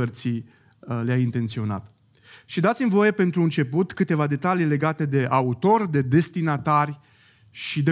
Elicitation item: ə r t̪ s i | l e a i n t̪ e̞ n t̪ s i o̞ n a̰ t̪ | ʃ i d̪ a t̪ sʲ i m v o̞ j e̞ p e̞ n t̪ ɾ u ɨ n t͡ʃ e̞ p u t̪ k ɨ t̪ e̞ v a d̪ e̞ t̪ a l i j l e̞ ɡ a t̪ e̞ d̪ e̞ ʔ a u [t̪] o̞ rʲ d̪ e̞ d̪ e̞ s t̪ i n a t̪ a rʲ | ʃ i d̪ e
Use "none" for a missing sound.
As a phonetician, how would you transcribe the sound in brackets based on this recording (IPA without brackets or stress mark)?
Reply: t̪